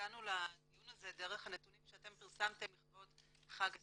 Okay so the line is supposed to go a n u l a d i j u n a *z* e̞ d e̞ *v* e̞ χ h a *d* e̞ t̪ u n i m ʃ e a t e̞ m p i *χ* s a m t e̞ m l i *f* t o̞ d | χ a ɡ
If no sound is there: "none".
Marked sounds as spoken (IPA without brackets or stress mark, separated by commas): z, ʁ, n, ʁ, χ